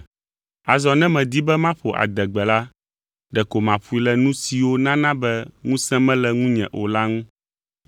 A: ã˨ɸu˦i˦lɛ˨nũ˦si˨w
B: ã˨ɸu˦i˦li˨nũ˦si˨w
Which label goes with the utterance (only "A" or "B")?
A